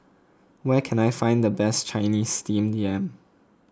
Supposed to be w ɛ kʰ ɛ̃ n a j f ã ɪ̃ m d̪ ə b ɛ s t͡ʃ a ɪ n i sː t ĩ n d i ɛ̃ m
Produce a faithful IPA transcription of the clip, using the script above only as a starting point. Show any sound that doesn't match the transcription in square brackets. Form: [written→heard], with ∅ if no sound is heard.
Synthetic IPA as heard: w ɛ kʰ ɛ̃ n a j f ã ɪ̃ [m→n] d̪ ə b ɛ s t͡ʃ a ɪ n i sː t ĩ [n→m] d i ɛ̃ m